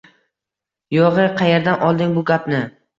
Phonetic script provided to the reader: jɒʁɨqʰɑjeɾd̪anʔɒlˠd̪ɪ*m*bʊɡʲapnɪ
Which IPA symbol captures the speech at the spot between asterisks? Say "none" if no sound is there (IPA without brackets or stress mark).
ŋ